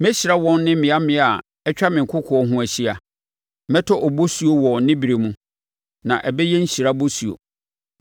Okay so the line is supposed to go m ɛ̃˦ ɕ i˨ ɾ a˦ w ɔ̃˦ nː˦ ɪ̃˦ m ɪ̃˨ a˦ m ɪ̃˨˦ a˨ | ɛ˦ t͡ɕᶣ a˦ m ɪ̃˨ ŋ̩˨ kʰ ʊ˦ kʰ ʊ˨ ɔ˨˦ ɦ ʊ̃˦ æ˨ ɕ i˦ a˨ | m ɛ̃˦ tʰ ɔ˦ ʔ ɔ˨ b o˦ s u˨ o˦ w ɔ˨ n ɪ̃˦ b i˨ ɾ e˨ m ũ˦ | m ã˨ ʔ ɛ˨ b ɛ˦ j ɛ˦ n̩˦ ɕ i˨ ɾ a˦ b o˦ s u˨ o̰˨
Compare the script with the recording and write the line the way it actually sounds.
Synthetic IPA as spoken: m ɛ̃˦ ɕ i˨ ɾ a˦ w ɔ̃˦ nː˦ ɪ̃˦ m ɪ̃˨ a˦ m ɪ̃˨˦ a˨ | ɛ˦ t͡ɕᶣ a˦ m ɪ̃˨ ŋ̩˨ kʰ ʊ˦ kʰ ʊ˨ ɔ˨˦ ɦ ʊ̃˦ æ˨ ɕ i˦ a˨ | m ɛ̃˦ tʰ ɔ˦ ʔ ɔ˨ b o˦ s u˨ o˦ w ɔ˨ n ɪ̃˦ b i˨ ɾ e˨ m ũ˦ | n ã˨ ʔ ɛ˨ b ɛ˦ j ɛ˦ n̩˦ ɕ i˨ ɾ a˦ b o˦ s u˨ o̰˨